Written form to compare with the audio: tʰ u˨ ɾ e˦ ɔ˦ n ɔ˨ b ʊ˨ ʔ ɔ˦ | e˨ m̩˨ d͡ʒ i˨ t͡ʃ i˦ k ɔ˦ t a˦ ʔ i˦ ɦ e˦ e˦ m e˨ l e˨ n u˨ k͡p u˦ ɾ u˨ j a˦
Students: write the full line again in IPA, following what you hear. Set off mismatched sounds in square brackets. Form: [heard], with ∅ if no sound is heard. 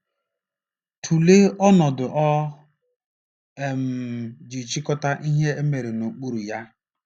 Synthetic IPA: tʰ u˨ [l] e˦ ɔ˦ n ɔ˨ [d] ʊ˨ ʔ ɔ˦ | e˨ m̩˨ d͡ʒ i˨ t͡ʃ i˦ k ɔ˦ t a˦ ʔ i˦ ɦ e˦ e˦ m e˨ [ɾ] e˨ n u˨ k͡p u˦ ɾ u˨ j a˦